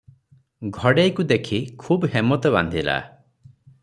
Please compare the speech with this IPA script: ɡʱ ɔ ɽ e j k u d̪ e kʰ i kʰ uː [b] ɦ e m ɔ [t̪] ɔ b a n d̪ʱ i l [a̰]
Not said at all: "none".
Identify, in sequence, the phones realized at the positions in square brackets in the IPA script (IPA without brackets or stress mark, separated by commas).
b, t̪, a̰